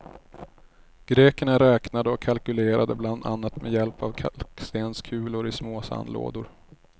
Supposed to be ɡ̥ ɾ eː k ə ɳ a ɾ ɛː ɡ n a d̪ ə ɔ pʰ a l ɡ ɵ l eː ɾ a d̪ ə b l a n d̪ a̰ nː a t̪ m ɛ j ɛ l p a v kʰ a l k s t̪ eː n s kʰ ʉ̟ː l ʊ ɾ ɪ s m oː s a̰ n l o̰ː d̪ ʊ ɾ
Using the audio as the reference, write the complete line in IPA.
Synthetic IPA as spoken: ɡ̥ ɾ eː k ə ɳ a ɾ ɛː k n a d̪ ə ɔ kʰ a l k ɵ l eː ɾ a d̪ ə b l a n d̪ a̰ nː a t̪ m ɛ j ɛ l p a v kʰ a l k s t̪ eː n s kʰ ʉ̟ː l ʊ ɾ ɪ s m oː s a̰ n l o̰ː d̪ ʊ ɾ